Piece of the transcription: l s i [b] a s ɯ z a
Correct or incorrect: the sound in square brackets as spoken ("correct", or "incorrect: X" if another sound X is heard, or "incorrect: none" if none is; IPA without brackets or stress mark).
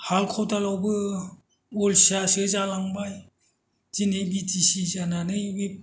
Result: incorrect: none